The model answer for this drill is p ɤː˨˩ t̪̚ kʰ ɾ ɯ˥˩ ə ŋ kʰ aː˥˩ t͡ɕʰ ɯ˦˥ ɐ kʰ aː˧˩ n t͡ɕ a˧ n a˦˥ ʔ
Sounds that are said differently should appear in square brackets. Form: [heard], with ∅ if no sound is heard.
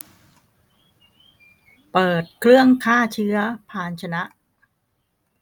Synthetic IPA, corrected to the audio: p ɤː˨˩ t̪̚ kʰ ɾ ɯ˥˩ ə ŋ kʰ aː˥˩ t͡ɕʰ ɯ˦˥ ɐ [pʰ] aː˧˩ n [t͡ɕʰ] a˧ n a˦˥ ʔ